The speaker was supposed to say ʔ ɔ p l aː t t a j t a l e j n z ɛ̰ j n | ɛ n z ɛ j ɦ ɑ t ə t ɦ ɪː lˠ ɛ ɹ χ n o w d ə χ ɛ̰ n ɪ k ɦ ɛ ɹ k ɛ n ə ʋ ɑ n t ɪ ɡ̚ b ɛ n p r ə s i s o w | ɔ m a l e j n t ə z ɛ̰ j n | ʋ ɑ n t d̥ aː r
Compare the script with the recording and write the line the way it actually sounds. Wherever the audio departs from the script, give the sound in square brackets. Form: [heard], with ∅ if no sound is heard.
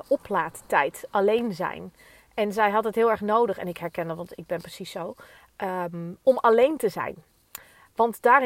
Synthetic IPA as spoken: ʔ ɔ p l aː t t [ɛ] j t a l e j n z ɛ̰ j n | ɛ n z ɛ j ɦ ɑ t ə t ɦ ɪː lˠ ɛ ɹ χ n o w d ə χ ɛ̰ n ɪ k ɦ ɛ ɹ k ɛ n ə ʋ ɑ n t ɪ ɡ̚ b ɛ n p r ə s i s o w | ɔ m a l e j n t ə z ɛ̰ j n | ʋ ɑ n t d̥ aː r